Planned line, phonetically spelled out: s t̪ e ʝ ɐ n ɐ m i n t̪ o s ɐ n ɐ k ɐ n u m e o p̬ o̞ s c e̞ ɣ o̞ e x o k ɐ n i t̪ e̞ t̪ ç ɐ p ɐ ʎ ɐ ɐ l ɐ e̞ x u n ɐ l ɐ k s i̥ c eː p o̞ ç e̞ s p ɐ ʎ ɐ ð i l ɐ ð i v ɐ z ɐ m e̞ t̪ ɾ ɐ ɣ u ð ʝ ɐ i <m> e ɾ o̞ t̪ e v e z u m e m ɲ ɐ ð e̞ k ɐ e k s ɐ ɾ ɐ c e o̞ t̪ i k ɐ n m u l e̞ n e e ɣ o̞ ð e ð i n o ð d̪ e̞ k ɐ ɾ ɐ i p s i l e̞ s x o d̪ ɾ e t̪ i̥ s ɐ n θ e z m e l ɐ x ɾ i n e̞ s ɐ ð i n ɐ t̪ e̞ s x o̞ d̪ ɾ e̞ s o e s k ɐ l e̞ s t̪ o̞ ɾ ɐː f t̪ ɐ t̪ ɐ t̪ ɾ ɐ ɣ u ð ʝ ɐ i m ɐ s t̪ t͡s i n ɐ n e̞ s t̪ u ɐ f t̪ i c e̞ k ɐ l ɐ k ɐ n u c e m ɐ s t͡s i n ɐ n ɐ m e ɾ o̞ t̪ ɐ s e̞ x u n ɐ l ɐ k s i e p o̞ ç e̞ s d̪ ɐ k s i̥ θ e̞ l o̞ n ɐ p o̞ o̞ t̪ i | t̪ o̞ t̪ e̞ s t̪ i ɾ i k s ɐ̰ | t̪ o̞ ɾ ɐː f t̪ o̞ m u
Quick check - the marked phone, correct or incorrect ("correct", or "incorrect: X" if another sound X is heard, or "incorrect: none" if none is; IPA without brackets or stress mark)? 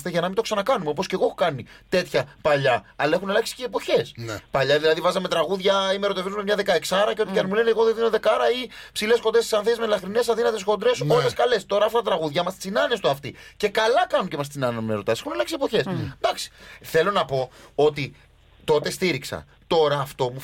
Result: correct